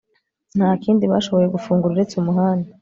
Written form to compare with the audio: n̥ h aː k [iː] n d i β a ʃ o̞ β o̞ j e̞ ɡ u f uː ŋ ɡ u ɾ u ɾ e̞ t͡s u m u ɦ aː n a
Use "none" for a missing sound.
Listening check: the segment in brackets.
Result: iː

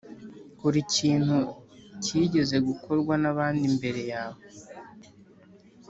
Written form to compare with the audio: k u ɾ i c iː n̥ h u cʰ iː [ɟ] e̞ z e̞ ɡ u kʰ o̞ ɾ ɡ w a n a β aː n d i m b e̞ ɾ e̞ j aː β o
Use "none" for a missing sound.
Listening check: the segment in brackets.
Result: ɟ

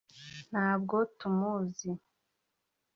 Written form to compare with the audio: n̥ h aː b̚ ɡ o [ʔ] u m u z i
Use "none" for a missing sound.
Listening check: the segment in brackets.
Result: t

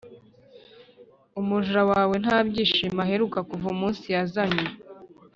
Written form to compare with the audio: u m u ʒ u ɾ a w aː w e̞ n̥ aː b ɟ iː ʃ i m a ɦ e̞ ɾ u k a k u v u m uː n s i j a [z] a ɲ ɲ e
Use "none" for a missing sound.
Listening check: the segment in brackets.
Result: z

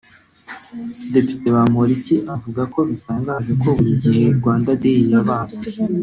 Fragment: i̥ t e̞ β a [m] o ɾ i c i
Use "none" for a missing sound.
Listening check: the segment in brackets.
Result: m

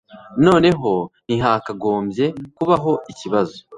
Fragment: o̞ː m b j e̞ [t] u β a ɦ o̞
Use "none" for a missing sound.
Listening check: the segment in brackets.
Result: k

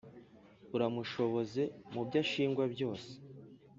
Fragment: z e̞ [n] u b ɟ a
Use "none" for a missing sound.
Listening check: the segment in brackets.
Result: m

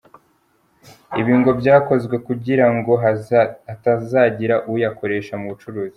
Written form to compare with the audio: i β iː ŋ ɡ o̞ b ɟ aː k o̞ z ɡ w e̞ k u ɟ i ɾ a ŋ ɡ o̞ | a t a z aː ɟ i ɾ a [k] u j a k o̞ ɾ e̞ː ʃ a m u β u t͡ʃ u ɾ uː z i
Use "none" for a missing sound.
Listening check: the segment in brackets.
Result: ʔ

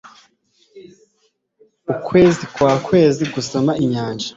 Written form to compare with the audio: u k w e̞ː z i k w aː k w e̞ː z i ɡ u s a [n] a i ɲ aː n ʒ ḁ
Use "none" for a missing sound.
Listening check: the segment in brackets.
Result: m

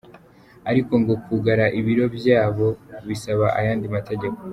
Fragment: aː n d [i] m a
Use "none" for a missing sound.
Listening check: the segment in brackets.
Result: i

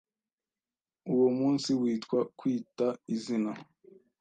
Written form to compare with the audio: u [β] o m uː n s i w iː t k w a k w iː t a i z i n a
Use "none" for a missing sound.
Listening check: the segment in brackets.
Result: w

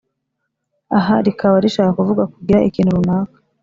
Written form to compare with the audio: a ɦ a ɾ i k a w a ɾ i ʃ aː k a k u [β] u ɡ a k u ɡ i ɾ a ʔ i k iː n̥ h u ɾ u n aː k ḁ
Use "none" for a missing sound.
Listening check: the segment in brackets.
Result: v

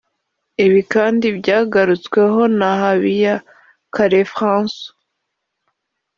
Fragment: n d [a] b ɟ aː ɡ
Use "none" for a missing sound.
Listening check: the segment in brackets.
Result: i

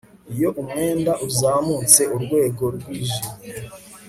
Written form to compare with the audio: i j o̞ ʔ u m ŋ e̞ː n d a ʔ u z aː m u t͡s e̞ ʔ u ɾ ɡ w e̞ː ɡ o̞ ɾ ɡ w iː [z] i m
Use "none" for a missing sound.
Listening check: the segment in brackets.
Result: ʒ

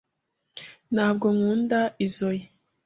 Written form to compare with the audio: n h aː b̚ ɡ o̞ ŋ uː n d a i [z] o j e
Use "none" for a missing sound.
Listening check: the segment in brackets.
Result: z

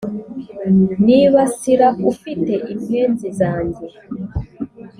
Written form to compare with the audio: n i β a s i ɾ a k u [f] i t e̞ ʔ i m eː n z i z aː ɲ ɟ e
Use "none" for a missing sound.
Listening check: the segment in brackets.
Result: f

